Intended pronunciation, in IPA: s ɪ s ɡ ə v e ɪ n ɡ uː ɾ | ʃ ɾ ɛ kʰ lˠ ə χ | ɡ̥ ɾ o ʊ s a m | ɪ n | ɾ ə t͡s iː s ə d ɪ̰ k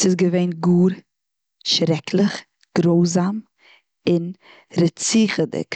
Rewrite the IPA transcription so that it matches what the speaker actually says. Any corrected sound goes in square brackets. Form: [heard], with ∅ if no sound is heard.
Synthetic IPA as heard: s ɪ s ɡ ə v e ɪ n ɡ uː ɾ | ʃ ɾ ɛ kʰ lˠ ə χ | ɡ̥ ɾ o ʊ [z] a m | ɪ n | ɾ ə t͡s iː [χ] ə d ɪ̰ k